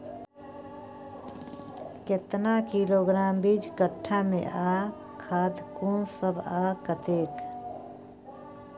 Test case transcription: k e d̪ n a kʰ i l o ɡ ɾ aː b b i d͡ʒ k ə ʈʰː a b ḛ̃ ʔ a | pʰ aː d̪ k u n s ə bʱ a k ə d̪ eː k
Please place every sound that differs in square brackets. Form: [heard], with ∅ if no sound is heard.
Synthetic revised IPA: k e [t̪] n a [k] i l o ɡ ɾ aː [m] b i d͡ʒ k ə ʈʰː a [m] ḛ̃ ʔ a | [kʰ] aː d̪ k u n s ə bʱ a k ə [t̪] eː k